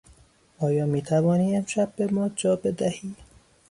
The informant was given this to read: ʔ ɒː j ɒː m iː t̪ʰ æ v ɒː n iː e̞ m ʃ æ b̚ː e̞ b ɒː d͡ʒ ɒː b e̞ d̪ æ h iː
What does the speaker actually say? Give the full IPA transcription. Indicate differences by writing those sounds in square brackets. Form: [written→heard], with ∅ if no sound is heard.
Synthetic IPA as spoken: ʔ ɒː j ɒː m iː t̪ʰ æ v ɒː n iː e̞ m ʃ æ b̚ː e̞ [b→m] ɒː d͡ʒ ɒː b e̞ d̪ æ h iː